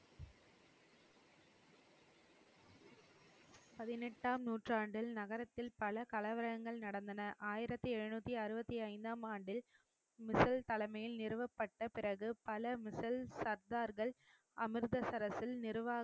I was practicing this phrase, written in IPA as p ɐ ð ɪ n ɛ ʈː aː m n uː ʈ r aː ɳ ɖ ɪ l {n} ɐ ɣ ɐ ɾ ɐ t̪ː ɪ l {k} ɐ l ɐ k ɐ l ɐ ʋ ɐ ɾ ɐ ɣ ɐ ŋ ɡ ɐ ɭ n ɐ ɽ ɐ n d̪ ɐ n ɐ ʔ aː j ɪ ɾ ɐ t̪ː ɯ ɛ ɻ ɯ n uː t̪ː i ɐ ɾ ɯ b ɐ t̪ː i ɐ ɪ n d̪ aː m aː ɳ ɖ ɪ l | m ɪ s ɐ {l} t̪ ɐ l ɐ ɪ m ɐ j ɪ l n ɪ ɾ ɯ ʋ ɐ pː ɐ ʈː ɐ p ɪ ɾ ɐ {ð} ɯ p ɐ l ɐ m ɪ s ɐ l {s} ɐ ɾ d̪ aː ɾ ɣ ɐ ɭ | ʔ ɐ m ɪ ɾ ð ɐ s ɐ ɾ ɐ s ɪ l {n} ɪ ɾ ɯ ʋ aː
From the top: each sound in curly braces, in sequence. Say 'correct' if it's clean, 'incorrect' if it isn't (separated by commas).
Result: correct, incorrect, correct, incorrect, correct, correct